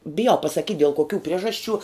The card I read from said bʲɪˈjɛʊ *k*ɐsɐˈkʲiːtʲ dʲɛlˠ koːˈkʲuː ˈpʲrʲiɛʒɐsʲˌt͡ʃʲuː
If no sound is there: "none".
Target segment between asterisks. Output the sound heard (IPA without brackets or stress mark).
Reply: p